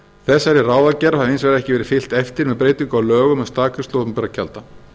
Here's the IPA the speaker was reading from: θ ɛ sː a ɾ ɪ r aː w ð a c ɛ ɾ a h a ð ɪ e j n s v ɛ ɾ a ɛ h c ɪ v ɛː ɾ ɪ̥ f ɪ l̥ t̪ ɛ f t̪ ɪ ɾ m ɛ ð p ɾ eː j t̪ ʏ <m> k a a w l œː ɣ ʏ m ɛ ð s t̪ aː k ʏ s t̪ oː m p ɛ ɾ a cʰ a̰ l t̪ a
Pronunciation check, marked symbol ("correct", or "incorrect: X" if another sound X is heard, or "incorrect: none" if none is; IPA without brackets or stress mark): incorrect: ŋ